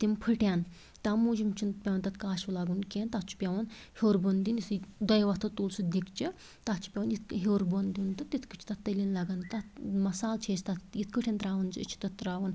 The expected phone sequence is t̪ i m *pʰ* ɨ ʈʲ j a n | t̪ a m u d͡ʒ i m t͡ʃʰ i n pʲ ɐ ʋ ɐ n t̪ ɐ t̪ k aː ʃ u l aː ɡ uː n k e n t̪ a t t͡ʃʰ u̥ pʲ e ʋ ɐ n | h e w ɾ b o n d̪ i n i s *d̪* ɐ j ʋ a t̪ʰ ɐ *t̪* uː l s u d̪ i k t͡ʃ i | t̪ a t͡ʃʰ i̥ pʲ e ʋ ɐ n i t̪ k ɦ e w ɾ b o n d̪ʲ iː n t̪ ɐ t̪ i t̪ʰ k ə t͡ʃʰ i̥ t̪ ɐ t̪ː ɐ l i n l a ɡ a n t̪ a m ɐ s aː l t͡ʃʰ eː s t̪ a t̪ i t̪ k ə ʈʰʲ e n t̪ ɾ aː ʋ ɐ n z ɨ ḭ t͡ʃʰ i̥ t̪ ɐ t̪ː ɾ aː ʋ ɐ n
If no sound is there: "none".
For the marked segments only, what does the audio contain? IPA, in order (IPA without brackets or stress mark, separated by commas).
pʰ, d̪, t̪